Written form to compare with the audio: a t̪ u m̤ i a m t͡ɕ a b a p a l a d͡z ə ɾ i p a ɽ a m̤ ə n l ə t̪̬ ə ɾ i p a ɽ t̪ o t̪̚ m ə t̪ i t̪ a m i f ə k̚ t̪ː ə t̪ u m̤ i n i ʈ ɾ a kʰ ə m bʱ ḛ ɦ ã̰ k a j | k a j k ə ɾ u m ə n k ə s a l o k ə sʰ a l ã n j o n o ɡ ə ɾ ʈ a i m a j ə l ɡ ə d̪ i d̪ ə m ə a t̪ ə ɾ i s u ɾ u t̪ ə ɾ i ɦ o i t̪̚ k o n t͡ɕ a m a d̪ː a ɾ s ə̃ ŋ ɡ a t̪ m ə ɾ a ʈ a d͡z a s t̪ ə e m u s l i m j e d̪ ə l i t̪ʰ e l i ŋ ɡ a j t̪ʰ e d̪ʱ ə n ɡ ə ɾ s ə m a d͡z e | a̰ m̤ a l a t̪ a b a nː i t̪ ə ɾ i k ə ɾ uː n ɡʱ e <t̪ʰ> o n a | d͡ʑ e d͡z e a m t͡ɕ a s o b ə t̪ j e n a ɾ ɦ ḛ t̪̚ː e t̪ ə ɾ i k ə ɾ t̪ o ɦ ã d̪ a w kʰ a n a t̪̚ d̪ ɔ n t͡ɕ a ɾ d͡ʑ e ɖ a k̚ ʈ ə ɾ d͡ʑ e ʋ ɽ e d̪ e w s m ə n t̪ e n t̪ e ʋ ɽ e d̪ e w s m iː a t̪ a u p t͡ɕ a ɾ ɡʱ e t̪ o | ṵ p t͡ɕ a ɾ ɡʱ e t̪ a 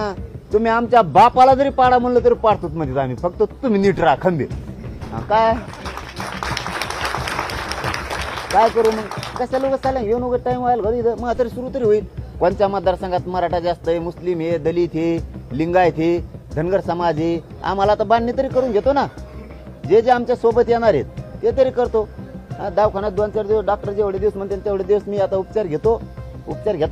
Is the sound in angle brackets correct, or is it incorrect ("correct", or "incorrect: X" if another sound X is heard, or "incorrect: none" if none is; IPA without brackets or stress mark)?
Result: incorrect: t̪